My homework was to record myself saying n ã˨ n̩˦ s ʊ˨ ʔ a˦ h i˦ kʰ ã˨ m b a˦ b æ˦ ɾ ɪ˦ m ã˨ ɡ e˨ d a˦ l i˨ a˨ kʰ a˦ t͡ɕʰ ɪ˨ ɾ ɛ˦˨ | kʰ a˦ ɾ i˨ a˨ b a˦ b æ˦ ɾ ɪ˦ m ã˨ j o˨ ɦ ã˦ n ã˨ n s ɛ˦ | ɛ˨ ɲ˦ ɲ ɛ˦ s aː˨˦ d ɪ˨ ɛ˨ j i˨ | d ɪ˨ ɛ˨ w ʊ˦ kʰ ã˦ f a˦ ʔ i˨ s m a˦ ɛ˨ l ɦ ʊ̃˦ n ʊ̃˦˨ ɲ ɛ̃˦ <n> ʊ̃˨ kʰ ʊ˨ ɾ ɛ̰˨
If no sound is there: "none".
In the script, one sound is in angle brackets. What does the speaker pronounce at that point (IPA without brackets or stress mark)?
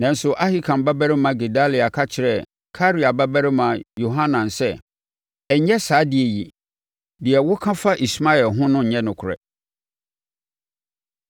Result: n